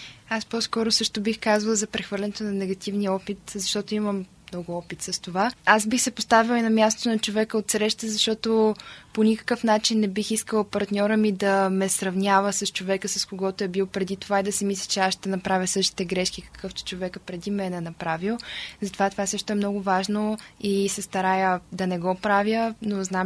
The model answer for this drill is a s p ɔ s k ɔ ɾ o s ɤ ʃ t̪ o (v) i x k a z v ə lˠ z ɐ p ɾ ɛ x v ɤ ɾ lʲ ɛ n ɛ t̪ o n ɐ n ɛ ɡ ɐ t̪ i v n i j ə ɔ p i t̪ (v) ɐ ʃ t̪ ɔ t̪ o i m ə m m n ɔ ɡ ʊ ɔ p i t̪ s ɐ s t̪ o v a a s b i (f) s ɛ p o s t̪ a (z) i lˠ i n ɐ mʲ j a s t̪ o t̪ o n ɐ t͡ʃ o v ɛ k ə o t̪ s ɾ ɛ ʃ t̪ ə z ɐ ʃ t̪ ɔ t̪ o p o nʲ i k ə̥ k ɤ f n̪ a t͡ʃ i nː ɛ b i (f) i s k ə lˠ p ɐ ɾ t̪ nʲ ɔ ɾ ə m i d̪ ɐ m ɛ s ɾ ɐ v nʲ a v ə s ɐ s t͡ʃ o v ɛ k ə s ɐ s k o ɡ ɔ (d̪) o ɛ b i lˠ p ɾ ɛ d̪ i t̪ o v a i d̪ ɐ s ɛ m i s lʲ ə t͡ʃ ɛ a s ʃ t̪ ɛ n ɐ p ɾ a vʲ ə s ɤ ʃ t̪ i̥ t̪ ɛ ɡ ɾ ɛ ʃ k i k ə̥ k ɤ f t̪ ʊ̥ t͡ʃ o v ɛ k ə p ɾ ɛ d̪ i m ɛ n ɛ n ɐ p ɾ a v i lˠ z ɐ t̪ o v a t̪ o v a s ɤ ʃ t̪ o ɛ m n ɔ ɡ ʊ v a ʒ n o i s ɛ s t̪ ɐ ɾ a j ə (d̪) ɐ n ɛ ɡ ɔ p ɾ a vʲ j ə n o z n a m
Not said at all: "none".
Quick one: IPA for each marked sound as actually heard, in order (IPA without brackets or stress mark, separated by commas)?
b, z, x, v, x, t̪, d̪